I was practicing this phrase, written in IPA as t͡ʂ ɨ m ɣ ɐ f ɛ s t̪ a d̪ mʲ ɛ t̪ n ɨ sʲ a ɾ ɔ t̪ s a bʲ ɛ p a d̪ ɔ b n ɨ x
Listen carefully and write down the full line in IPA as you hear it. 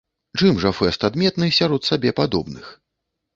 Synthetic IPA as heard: t͡ʂ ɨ m ʐ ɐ f ɛ s t̪ a d̪ mʲ ɛ t̪ n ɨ sʲ a ɾ ɔ t̪ s a bʲ ɛ p a d̪ ɔ b n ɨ x